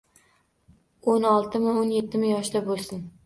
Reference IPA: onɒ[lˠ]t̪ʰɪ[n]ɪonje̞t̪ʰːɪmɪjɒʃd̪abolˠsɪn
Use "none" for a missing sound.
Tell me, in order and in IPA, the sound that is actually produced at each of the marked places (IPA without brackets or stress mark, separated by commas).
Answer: lˠ, m